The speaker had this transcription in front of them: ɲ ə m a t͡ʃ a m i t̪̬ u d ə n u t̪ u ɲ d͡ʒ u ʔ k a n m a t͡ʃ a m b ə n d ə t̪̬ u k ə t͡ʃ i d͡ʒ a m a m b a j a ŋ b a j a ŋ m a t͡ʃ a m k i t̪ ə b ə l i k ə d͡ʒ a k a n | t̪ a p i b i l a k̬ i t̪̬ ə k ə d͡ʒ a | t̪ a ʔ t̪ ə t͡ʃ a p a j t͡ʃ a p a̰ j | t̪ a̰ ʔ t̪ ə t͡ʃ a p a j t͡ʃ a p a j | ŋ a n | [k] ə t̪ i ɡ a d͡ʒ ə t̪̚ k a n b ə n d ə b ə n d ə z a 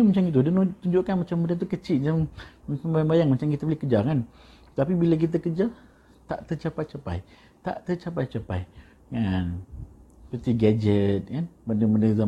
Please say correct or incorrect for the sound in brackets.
incorrect